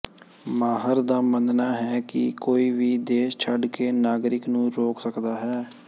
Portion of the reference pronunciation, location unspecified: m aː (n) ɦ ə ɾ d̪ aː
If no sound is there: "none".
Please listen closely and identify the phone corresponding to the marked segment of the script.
none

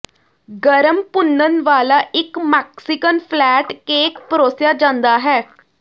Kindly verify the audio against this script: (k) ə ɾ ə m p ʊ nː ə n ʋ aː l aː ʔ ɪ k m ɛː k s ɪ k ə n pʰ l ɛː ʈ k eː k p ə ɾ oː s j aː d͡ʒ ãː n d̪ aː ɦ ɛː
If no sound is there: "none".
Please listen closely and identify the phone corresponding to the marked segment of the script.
ɡ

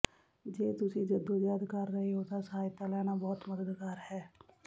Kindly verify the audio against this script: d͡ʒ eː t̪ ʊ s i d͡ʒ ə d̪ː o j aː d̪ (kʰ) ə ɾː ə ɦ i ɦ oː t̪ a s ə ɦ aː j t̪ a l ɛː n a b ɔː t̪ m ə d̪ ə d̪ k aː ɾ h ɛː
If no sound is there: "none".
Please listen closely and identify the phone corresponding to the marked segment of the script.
k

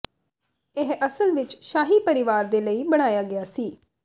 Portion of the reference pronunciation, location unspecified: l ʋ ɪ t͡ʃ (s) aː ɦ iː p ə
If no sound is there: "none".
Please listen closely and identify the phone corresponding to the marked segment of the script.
ʃ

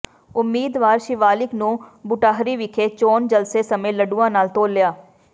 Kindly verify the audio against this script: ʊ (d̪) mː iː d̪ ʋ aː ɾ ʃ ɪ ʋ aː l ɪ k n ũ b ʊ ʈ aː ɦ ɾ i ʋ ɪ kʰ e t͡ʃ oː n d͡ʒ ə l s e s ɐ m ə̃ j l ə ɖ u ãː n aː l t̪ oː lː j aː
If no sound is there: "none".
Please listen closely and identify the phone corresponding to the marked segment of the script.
none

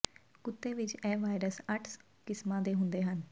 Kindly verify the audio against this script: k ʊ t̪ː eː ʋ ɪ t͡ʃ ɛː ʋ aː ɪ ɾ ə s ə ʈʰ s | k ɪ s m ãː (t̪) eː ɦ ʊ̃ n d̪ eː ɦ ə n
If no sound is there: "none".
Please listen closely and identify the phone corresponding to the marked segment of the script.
d̪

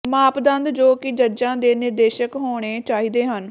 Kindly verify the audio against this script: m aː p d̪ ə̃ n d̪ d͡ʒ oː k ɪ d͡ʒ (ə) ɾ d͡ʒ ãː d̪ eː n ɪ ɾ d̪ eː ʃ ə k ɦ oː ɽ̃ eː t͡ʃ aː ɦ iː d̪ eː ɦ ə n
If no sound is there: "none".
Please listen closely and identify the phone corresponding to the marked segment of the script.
ə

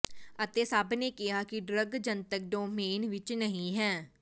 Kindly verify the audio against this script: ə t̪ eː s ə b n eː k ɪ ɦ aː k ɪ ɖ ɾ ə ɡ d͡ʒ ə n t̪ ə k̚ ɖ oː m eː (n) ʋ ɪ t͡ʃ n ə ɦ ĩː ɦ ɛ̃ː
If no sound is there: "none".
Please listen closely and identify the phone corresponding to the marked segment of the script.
n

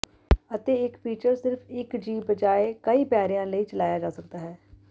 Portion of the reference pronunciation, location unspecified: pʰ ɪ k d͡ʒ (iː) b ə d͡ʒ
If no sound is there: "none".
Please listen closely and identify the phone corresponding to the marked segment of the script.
iː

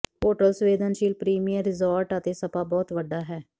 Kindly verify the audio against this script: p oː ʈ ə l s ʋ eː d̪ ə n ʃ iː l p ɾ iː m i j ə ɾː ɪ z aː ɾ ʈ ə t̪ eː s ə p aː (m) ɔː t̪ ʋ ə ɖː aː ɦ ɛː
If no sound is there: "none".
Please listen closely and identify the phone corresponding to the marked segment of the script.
b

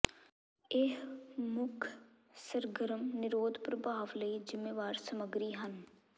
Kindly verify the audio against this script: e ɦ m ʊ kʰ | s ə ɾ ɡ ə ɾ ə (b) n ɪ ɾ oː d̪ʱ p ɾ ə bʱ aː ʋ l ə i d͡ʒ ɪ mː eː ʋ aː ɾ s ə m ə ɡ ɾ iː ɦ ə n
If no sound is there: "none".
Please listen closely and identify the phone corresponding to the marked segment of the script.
m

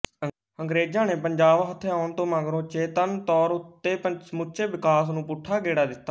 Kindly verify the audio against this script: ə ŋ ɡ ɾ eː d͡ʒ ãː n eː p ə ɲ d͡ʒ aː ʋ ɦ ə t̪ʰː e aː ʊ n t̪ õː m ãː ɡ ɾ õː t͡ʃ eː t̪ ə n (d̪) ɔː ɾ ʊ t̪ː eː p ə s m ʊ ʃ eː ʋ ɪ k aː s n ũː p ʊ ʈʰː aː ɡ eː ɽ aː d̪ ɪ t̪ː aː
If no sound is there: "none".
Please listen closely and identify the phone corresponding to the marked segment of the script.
t̪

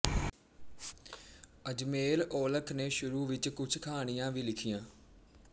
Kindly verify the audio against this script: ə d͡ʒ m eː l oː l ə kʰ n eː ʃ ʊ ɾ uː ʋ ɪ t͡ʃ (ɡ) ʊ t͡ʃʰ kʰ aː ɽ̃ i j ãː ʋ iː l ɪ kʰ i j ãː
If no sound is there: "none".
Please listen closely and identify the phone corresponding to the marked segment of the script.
k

